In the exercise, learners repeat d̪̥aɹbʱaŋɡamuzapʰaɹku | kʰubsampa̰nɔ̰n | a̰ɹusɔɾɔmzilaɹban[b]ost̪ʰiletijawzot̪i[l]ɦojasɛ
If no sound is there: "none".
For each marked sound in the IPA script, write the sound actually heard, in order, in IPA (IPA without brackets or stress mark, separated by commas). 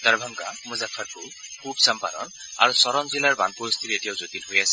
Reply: p, l